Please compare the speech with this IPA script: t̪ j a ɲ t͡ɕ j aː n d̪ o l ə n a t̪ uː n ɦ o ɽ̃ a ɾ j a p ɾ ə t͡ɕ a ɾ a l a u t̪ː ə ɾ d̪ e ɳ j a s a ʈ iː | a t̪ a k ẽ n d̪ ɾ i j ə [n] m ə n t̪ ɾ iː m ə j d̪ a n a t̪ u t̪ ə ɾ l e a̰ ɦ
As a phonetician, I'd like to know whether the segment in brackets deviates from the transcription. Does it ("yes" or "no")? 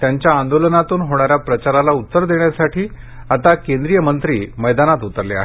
yes